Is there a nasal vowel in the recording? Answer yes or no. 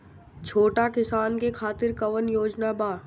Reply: no